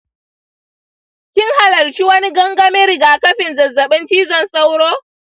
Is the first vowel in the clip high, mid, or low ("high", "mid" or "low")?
high